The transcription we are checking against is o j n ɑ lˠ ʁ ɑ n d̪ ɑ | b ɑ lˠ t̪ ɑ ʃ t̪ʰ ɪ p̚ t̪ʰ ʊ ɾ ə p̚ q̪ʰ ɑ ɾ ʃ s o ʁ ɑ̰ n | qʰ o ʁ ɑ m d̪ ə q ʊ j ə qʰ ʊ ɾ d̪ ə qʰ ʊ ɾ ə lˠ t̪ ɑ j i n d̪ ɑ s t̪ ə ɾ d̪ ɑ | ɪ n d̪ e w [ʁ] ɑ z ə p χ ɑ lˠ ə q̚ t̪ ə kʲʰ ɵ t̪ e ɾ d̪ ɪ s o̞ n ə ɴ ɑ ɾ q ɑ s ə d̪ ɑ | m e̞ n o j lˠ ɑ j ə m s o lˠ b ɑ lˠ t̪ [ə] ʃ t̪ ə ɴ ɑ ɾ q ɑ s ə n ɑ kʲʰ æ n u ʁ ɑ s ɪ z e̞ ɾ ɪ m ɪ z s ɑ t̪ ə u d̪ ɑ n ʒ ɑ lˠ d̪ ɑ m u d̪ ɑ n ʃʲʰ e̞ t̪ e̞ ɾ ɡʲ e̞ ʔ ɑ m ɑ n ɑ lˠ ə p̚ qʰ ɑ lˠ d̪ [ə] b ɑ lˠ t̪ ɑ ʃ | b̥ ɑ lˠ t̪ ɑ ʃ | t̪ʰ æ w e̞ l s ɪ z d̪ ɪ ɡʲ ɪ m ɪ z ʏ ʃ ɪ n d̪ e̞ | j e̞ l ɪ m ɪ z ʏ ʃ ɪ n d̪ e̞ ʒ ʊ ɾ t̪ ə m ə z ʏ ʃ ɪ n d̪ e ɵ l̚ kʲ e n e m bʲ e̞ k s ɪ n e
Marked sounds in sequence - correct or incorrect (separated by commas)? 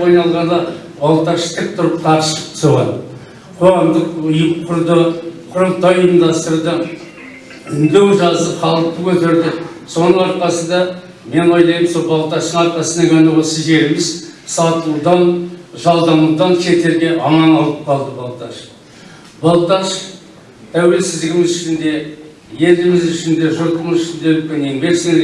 incorrect, incorrect, correct